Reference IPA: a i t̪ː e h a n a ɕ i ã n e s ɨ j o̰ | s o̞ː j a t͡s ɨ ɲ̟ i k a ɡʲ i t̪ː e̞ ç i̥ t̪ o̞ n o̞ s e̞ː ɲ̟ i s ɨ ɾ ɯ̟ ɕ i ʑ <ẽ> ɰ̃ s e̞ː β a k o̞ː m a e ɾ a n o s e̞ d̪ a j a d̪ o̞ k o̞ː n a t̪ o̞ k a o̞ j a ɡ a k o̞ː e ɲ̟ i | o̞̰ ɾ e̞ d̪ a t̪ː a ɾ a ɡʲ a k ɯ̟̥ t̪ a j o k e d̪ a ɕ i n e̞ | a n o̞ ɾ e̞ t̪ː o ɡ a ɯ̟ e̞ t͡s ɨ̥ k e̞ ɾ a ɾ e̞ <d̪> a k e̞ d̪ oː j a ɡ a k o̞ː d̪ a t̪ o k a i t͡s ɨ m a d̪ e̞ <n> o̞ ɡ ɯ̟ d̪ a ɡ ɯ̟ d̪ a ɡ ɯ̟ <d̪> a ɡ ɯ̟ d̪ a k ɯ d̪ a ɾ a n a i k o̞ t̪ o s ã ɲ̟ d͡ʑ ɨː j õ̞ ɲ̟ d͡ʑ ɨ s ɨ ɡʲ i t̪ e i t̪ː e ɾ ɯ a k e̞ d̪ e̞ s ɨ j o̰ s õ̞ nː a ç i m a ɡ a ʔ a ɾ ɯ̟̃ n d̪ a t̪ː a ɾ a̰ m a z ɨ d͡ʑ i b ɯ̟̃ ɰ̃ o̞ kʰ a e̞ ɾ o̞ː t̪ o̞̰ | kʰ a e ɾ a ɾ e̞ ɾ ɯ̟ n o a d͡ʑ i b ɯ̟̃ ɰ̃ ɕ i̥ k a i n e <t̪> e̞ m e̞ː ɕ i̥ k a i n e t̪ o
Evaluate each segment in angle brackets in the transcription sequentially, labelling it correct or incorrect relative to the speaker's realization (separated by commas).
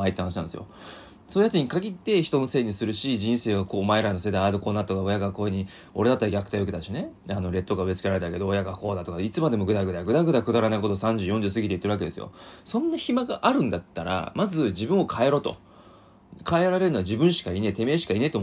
incorrect, incorrect, incorrect, correct, correct